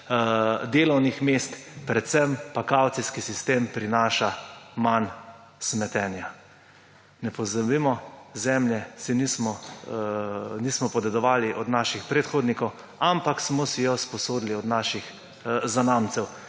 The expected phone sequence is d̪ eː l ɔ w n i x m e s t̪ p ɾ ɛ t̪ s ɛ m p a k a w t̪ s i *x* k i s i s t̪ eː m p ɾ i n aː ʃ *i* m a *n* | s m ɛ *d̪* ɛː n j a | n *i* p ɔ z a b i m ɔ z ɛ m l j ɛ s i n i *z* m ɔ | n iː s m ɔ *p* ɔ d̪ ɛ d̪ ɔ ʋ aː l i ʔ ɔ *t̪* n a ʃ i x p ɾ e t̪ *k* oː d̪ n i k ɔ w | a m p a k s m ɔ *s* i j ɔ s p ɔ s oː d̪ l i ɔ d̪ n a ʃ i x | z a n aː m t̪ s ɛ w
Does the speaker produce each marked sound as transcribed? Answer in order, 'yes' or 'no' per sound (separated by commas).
no, no, yes, no, no, no, yes, no, no, yes